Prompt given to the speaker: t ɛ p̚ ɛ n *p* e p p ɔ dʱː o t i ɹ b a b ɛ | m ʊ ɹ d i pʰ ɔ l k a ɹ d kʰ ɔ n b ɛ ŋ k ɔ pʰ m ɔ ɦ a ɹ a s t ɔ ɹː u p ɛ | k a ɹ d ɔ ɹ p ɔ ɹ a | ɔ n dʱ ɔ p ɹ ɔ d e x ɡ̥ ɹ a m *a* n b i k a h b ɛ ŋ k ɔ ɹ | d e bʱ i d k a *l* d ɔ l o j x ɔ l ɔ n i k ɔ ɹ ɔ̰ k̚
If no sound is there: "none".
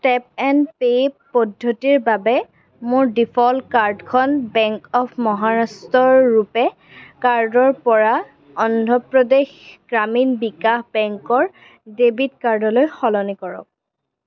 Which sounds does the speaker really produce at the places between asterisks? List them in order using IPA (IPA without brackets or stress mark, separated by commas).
p, i, ɹ